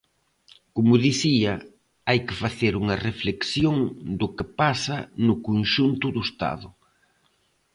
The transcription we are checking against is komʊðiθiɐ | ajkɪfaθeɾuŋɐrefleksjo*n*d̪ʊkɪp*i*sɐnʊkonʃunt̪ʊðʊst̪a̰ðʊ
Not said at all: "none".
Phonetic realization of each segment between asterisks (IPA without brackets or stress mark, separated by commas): ŋ, a